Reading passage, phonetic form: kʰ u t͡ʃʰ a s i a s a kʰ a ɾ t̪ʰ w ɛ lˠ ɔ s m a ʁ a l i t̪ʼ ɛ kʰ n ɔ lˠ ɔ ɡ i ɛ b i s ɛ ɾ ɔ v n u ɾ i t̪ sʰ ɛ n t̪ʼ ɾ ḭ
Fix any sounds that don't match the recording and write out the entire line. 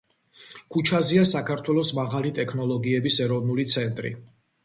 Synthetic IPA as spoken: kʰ u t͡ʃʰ a z i a s a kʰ a ɾ t̪ʰ w ɛ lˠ ɔ s m a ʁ a l i t̪ʼ ɛ kʰ n ɔ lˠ ɔ ɡ i ɛ b i s ɛ ɾ ɔ v n u l i t̪ sʰ ɛ n t̪ʼ ɾ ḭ